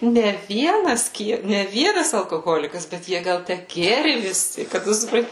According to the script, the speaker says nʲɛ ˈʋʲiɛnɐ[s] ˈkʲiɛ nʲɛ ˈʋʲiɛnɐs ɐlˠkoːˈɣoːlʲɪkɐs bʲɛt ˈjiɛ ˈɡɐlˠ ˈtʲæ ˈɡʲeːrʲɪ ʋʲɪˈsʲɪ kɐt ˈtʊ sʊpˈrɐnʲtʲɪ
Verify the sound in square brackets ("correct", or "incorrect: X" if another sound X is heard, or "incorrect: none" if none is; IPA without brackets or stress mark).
correct